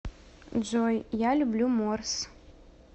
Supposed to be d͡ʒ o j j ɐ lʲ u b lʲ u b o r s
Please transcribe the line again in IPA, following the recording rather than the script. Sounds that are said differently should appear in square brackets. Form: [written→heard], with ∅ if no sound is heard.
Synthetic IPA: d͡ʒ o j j [ɐ→a] lʲ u b lʲ u [b→m] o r s